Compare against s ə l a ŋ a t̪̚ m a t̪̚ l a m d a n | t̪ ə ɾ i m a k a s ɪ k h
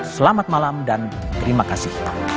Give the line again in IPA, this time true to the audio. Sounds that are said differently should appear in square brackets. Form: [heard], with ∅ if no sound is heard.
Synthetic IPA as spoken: s ə l a [m] a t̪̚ m a [∅] l a m d a n | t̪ ə ɾ i m a k a s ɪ [∅] h